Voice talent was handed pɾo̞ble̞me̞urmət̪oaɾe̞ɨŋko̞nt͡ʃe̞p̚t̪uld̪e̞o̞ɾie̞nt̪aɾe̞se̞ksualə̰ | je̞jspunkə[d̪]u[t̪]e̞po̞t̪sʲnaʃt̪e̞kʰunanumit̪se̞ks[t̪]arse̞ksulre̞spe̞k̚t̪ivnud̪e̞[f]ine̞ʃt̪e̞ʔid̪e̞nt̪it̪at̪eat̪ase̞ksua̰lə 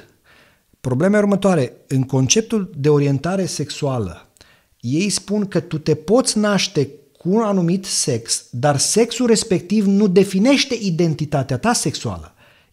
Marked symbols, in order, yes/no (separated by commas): no, yes, no, yes